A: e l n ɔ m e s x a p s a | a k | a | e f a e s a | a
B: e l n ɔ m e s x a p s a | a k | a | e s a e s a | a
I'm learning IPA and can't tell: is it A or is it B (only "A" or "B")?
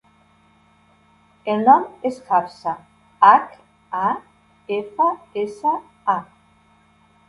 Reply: A